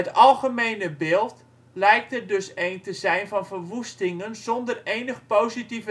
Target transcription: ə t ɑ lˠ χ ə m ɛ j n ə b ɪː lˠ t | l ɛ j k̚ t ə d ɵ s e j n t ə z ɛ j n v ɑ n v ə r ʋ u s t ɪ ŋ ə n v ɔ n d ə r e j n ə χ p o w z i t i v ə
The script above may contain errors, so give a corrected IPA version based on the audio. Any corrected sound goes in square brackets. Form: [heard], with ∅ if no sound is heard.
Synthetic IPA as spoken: ə t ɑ lˠ χ ə m [e] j n ə b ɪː lˠ t | l ɛ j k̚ t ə d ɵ s e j n t ə z ɛ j n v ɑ n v ə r ʋ u s t ɪ ŋ ə n [z] ɔ n d ə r e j n ə χ p o w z i t i v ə

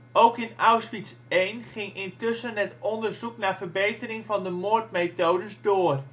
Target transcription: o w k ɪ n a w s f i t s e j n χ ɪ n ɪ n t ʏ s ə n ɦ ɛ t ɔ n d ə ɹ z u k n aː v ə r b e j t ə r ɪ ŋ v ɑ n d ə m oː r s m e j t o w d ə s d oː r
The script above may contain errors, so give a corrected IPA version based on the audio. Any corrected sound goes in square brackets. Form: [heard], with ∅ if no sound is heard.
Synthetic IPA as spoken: o w k ɪ n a w s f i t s e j n χ ɪ [ŋ] ɪ n t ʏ s ə n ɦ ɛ t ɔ n d ə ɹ z u k n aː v ə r b e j t ə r ɪ ŋ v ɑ n d ə m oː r [t] m e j t o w d ə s d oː r

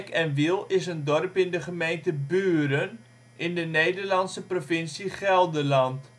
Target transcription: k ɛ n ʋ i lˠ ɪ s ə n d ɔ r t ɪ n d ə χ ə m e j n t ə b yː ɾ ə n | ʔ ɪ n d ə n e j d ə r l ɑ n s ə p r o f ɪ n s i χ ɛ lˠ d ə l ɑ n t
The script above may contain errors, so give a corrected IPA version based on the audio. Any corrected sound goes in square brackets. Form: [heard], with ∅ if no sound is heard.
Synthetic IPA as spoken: k ɛ n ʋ i lˠ ɪ s ə n d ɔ r [p] ɪ n d ə χ ə m e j n t ə b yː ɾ ə n | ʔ ɪ n d ə n e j d ə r l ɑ n s ə p r o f ɪ n s i χ ɛ lˠ d ə l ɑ n t

